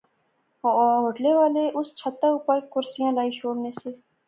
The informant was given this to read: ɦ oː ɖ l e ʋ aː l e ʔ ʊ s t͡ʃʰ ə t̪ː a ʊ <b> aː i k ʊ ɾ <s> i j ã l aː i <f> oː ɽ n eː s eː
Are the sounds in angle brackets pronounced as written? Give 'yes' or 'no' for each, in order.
no, yes, no

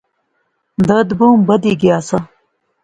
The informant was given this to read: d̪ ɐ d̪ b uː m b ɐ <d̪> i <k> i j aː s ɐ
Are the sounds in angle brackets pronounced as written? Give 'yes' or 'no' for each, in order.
yes, no

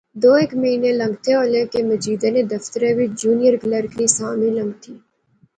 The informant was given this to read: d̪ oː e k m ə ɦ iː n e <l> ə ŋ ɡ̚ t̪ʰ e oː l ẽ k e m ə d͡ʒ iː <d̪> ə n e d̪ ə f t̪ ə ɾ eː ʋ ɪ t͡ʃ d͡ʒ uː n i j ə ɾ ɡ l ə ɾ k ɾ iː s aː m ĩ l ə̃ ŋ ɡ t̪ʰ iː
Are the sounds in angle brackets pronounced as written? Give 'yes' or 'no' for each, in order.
yes, yes

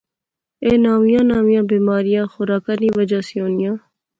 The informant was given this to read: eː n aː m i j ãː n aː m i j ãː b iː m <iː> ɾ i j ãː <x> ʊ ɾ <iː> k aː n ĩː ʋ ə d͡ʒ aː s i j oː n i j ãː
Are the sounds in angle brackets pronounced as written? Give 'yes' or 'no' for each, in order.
no, yes, no

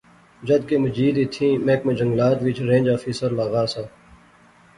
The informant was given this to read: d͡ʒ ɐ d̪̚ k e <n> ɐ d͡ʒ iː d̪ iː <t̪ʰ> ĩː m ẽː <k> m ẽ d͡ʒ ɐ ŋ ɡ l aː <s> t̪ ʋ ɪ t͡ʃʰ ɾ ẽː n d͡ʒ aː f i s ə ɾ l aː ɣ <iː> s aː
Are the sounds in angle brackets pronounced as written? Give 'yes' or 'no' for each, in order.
no, yes, yes, no, no

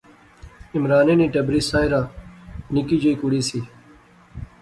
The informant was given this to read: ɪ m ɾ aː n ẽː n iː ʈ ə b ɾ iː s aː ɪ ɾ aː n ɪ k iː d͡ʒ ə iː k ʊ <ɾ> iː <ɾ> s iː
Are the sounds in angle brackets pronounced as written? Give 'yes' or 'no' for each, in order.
no, no

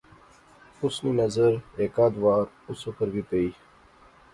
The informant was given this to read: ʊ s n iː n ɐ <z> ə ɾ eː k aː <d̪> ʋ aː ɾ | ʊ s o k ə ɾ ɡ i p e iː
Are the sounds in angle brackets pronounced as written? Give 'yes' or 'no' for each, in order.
yes, yes

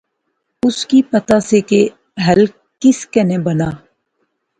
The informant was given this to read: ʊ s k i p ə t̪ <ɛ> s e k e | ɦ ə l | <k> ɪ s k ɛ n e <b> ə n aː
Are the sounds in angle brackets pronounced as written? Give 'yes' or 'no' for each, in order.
no, yes, yes

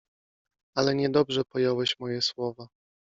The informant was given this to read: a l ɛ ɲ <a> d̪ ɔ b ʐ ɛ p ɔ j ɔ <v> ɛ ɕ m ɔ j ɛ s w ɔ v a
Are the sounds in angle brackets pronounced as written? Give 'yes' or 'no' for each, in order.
no, no

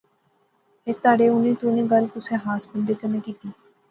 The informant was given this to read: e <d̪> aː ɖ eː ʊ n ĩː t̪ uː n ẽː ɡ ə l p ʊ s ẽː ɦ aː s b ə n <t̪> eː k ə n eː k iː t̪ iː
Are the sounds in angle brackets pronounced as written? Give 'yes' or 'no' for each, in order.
no, no

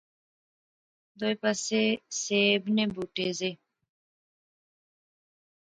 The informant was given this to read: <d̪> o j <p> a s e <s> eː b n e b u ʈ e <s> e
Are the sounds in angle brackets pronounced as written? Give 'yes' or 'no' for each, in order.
yes, yes, yes, no

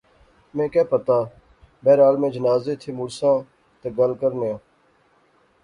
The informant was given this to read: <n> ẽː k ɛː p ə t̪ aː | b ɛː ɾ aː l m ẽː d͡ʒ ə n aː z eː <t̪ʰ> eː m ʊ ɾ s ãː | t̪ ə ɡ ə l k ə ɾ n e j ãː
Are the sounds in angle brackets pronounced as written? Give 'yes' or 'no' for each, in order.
no, yes

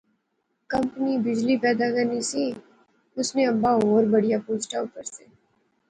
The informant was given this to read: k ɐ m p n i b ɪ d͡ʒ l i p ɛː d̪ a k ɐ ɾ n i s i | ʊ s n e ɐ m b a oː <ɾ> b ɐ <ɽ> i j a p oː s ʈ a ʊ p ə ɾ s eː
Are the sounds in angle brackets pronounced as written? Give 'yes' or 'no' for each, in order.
yes, yes

